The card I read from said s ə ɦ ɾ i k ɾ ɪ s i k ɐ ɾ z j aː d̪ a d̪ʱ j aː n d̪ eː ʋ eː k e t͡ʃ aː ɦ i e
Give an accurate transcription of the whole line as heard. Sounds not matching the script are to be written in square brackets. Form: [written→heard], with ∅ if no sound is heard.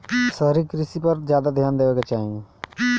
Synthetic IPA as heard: s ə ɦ ɾ i k ɾ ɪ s i [k→p] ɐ ɾ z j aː d̪ a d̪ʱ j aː n d̪ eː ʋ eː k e t͡ʃ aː ɦ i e

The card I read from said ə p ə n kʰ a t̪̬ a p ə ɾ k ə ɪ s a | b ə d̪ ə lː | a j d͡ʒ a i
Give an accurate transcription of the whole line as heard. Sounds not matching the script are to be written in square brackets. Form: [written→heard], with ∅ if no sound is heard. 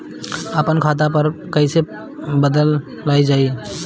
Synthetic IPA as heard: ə p ə n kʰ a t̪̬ a p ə ɾ k ə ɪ s [a→e] | b ə d̪ ə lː | a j d͡ʒ a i

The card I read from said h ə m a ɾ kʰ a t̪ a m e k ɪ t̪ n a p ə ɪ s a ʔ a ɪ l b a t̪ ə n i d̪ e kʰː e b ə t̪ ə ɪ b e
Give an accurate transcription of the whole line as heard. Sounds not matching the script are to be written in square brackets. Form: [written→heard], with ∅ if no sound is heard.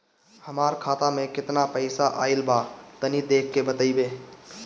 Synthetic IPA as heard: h ə m a ɾ kʰ a t̪ a m e k ɪ t̪ n a p ə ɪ s a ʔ a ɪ l b a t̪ ə n i d̪ e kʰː e b ə t̪ ə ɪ b e

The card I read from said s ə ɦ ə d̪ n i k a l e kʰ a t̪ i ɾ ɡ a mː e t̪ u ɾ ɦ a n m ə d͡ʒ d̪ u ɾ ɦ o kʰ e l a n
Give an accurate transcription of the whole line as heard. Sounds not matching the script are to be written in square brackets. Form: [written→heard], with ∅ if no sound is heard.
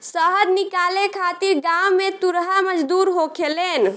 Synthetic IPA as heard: s ə ɦ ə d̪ n i k a l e kʰ a t̪ i ɾ ɡ a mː e t̪ u ɾ ɦ a [n→∅] m ə d͡ʒ d̪ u ɾ ɦ o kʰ e l [a→e] n

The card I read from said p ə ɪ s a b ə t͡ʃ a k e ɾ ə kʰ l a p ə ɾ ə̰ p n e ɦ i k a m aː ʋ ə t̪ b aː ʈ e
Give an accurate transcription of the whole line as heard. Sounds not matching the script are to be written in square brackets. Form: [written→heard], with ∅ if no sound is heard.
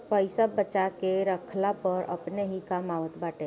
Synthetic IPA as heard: p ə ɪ s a b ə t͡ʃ a k e ɾ ə kʰ l a p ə ɾ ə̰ p n e ɦ i k a m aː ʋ ə t̪ b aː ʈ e

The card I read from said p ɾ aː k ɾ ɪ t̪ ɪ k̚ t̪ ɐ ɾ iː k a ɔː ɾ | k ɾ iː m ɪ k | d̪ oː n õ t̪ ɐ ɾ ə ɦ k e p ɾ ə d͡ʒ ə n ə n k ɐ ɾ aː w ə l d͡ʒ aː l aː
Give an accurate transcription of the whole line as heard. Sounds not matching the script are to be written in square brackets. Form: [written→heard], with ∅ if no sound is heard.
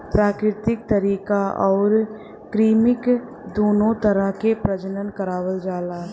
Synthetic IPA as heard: p ɾ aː k ɾ ɪ t̪ ɪ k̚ t̪ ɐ ɾ iː k a ɔː ɾ | k ɾ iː m ɪ k | d̪ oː n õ t̪ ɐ ɾ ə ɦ k e p ɾ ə d͡ʒ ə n ə n k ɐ ɾ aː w ə l d͡ʒ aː l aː

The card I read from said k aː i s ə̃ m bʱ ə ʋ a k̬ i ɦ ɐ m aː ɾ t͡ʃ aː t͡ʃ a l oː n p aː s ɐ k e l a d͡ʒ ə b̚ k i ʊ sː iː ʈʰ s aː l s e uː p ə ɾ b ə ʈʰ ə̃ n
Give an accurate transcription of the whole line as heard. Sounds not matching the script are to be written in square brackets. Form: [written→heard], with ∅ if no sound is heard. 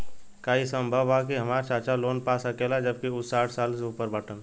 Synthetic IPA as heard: k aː i s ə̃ m bʱ ə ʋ a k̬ i ɦ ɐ m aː ɾ t͡ʃ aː t͡ʃ a l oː n p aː s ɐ k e l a d͡ʒ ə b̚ k i ʊ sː [iː→aː] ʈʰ s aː l s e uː p ə ɾ b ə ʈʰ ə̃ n

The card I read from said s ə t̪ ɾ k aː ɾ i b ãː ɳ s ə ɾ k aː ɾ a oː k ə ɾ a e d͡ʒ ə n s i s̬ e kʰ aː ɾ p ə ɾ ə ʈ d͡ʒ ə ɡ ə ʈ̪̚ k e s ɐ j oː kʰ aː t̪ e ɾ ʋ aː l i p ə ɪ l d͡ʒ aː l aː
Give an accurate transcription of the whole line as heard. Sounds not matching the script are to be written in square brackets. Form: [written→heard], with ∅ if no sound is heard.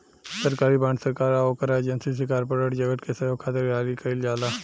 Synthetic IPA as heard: s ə [t̪→∅] ɾ k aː ɾ i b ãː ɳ s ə ɾ k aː ɾ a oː k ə ɾ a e d͡ʒ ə n s i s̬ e [kʰ→k] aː ɾ p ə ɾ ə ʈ d͡ʒ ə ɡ ə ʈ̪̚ k e s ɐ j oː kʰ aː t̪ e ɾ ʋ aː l i [p→k] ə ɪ l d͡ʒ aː l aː

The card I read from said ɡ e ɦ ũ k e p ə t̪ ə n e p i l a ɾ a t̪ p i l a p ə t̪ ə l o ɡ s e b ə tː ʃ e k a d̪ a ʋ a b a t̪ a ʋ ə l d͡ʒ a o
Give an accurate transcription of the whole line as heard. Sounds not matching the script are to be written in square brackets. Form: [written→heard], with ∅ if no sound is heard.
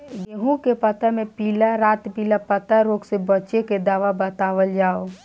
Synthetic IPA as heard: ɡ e ɦ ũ k e p ə t̪ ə [n→m] e p i l a ɾ a t̪ p i l a p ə t̪ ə [l→ɾ] o ɡ s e b ə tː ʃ e k [a→e] d̪ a ʋ a b [a→ə] t̪ a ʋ ə l d͡ʒ a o

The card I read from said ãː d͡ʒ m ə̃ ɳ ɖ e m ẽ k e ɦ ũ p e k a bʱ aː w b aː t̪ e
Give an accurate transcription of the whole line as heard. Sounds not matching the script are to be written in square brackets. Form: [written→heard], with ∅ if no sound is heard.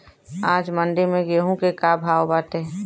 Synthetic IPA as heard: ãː d͡ʒ m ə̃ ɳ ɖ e m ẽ [k→ɡ] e ɦ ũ [p→k] e k a bʱ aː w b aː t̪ e

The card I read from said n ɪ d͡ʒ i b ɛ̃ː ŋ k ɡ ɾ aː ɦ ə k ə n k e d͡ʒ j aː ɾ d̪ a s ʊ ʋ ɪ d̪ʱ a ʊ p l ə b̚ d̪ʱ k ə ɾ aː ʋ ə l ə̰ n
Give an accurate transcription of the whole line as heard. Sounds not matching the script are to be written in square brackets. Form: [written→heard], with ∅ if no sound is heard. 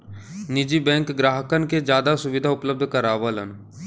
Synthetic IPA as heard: n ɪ d͡ʒ i b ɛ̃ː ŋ k ɡ ɾ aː ɦ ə k ə n k e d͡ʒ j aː [ɾ→∅] d̪ a s ʊ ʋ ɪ d̪ʱ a ʊ p l ə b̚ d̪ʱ k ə ɾ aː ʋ ə l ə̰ n

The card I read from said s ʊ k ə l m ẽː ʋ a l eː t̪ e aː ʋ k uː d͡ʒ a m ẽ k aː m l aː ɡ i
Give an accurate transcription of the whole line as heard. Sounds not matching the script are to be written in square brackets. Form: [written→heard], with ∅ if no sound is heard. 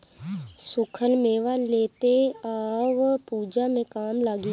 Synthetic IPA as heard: s ʊ [k→kʰ] ə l m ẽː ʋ a l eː t̪ e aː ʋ [k→p] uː d͡ʒ a m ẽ k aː m l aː ɡ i

